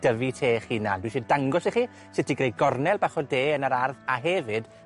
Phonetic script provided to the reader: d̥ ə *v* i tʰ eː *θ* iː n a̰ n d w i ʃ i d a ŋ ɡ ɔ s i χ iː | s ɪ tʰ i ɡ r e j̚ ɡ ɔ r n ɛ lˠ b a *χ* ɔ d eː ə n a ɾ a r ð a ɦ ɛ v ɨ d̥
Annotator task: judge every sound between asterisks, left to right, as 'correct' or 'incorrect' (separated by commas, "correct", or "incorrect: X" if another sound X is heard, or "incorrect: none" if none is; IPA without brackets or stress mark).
correct, incorrect: χ, correct